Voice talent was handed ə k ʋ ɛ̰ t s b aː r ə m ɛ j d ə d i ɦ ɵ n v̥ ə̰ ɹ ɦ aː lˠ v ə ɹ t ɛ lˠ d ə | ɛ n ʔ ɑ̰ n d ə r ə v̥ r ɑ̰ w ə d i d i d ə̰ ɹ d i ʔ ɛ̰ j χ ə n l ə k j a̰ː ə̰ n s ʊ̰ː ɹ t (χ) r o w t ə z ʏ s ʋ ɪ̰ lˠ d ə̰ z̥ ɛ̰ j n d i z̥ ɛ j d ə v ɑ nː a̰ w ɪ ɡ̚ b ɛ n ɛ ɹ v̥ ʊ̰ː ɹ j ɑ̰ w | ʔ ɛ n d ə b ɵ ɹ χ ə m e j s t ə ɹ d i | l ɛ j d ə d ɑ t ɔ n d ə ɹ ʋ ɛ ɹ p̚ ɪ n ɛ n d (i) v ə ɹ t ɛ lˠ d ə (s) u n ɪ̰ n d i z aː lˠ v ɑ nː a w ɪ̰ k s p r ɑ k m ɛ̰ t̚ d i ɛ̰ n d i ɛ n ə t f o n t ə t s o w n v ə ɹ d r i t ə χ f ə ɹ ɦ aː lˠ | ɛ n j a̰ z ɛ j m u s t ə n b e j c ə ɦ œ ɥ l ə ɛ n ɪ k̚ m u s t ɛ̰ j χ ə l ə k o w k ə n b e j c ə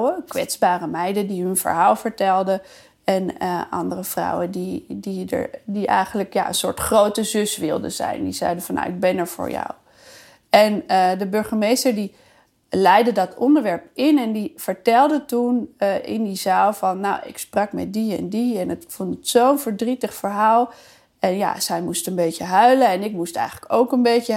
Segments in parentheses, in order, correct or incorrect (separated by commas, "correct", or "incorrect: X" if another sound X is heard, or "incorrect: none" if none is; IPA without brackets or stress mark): correct, correct, incorrect: t